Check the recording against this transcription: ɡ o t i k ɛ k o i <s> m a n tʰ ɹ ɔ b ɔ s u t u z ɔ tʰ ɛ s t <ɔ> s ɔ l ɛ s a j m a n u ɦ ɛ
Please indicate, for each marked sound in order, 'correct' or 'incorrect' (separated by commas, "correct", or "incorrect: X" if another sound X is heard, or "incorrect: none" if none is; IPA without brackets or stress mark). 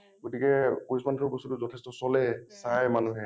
correct, correct